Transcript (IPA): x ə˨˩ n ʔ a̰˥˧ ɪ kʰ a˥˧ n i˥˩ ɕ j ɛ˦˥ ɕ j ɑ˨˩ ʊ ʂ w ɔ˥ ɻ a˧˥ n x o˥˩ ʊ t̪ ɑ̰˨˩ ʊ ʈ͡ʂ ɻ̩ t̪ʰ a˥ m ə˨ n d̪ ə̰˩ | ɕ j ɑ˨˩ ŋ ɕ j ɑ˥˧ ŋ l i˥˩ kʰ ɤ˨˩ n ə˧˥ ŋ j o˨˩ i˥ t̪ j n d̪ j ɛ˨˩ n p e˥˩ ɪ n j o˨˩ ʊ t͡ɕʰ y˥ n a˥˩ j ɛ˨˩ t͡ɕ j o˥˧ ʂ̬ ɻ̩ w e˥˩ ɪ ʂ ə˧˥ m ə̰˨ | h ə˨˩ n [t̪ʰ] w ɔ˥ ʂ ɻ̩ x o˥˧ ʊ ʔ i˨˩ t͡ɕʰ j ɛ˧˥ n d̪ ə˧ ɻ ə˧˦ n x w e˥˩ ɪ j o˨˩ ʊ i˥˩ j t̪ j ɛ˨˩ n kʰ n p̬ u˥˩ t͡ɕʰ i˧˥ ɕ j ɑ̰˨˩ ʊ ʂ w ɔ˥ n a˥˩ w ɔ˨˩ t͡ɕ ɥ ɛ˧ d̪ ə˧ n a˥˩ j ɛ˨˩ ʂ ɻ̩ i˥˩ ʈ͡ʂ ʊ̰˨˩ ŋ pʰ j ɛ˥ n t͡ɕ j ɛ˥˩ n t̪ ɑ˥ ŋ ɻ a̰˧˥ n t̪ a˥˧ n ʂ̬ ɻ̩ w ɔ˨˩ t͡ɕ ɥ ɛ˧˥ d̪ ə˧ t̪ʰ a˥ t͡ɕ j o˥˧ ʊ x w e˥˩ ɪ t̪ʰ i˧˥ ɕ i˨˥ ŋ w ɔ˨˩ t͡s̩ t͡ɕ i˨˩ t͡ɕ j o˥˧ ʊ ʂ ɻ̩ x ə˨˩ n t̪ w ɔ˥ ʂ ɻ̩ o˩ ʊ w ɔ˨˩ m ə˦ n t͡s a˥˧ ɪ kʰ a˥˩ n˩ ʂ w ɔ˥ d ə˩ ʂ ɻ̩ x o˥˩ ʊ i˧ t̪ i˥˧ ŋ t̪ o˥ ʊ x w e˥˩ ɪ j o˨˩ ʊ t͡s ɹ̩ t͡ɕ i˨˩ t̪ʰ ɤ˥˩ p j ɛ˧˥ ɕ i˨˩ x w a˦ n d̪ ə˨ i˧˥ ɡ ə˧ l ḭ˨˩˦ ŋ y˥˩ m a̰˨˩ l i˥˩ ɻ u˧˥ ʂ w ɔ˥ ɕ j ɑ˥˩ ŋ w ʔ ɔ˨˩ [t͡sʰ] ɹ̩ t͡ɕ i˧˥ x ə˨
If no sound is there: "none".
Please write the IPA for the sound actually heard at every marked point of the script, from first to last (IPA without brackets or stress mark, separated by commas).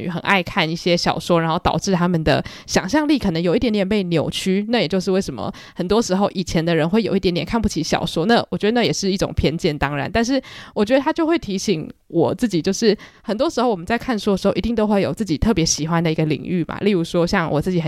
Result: t̪, t͡s